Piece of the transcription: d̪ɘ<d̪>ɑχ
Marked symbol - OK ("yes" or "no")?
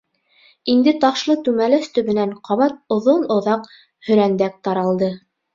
no